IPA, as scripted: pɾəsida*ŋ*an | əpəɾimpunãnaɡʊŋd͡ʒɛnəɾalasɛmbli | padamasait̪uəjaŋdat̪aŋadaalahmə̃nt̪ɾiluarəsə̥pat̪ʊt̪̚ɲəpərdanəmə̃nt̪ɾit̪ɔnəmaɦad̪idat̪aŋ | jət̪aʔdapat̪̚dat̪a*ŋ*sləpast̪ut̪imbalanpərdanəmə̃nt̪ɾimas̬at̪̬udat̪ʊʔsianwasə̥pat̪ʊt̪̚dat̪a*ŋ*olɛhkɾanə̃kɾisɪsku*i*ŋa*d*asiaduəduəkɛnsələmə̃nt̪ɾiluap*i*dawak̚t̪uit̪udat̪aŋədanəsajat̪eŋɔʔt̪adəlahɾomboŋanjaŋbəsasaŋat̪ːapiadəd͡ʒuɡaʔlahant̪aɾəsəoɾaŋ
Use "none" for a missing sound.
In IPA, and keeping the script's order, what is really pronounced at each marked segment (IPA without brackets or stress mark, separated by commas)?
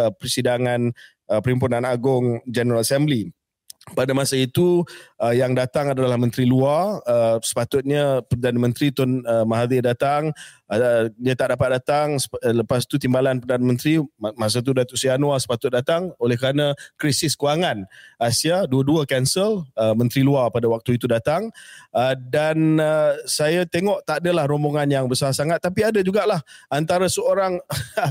ŋ, ŋ, ŋ, a, n, a